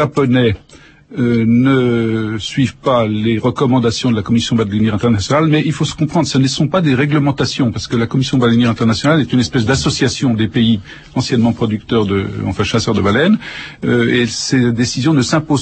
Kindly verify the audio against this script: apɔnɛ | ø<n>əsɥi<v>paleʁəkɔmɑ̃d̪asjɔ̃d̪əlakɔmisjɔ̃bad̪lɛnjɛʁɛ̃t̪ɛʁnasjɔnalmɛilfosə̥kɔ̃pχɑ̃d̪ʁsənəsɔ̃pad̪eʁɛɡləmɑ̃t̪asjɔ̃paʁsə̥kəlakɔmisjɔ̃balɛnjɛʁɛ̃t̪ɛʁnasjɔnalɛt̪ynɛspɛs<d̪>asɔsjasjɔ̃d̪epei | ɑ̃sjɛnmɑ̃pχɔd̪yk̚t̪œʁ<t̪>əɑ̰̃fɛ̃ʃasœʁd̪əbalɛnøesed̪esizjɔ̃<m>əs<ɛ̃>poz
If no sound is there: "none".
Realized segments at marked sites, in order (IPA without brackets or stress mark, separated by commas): n, v, d̪, d̪, n, ɛ̃